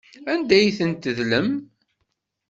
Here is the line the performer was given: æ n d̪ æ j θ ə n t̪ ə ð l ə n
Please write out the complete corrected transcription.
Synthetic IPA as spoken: æ n d̪ æ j θ ə n t̪ ə ð l ə m